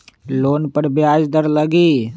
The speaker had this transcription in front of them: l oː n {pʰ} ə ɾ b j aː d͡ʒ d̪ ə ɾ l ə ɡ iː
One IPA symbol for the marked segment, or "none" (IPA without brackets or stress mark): p